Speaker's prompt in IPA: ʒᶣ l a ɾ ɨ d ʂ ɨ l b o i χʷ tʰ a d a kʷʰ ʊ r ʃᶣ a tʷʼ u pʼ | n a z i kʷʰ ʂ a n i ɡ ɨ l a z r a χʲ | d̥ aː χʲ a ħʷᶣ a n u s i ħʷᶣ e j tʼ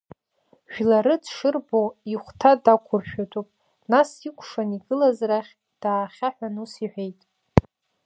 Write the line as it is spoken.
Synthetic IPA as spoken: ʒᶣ l a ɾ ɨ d ʂ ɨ r b o i χʷ tʰ a d a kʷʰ ʊ r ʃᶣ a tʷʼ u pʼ | n a s i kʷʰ ʂ a n i ɡ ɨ l a z r a χʲ | d̥ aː χʲ a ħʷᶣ a n u s i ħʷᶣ e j tʼ